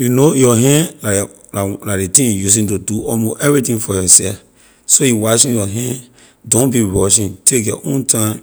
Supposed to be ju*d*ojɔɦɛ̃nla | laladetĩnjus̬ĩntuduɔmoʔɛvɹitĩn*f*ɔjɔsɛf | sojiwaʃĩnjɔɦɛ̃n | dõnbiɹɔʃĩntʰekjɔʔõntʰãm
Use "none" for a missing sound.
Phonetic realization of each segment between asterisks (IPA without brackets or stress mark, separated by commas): n, f